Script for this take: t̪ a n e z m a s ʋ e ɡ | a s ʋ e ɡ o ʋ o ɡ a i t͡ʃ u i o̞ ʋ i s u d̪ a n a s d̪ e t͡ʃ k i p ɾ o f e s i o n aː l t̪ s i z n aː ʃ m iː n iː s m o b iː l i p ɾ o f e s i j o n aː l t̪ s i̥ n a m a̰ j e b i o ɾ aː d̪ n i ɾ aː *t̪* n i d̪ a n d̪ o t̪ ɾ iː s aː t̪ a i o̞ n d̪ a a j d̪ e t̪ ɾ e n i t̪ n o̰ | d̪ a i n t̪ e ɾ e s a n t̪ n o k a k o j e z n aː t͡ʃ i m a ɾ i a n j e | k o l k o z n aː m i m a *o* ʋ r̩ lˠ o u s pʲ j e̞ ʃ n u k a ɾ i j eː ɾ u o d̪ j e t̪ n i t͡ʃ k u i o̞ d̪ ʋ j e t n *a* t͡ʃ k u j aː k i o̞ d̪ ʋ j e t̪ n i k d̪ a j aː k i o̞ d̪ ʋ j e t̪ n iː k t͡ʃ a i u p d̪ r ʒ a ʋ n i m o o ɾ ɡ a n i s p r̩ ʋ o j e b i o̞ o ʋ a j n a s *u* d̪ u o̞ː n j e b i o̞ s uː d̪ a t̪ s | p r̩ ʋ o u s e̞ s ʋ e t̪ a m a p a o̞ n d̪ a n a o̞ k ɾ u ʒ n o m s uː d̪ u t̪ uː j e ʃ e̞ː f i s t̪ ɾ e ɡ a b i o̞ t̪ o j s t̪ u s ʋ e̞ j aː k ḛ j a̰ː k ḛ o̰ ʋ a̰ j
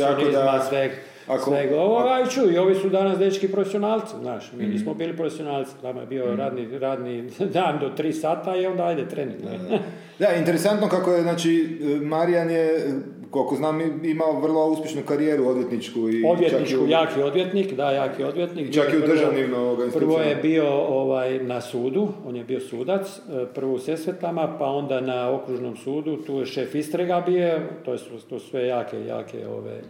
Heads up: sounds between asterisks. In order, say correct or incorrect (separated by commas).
incorrect, correct, incorrect, incorrect